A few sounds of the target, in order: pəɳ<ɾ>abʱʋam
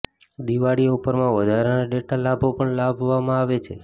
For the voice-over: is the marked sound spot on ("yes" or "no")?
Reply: no